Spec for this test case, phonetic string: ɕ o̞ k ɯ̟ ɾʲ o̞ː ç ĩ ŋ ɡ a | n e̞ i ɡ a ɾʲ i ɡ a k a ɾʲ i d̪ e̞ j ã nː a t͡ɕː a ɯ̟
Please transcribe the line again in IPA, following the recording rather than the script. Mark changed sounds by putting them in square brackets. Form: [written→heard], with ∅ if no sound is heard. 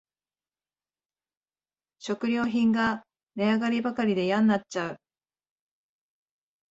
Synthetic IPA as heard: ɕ o̞ k ɯ̟ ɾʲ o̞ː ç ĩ ŋ ɡ a | n e̞ [i→a] ɡ a ɾʲ i [ɡ→b] a k a ɾʲ i d̪ e̞ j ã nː a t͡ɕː a ɯ̟